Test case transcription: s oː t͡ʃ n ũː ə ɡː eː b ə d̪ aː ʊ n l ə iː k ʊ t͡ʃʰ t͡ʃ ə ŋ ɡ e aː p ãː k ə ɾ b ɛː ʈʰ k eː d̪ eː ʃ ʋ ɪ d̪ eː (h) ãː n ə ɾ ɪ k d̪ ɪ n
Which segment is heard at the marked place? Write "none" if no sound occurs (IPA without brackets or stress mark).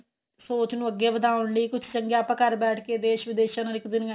ʃ